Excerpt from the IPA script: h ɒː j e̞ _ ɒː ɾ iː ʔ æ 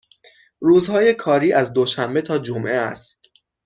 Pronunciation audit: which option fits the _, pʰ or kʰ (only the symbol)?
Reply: kʰ